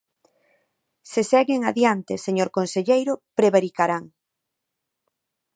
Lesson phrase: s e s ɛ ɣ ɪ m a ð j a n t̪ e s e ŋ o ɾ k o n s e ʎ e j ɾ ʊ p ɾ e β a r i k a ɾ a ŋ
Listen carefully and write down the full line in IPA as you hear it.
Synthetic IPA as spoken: s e s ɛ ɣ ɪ ŋ a ð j a n t̪ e s e ɲ o ɾ k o n s e ʎ e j ɾ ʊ p ɾ e β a ɾ i k a ɾ a ŋ